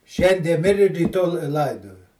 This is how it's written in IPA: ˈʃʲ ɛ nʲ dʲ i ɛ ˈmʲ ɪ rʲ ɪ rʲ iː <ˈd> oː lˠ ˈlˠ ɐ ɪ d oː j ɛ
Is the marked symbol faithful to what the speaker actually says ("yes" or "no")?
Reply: no